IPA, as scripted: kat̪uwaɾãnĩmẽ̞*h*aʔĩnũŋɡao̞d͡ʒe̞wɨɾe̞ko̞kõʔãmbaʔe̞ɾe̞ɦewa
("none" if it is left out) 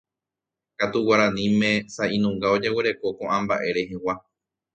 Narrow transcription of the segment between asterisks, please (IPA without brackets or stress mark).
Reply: s